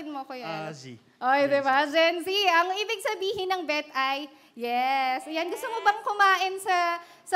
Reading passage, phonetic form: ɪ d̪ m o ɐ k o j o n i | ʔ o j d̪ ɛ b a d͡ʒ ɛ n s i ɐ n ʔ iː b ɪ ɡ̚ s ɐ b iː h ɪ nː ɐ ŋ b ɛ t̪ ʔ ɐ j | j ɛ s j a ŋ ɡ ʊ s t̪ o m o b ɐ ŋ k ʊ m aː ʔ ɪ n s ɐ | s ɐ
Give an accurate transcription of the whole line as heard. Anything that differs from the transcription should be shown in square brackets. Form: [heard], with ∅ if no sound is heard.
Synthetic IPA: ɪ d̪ m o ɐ k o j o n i | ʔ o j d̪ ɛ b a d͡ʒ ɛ n s i ɐ [ŋ] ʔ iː b ɪ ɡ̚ s ɐ b iː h ɪ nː ɐ ŋ b ɛ t̪ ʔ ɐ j | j ɛ s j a [n] ɡ ʊ s t̪ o m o b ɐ ŋ k ʊ m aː ʔ ɪ n s ɐ | s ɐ